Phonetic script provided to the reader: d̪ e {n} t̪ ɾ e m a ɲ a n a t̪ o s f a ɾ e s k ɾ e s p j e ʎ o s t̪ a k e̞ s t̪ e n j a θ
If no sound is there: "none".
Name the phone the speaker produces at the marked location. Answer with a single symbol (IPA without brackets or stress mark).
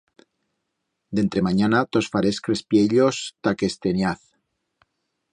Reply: n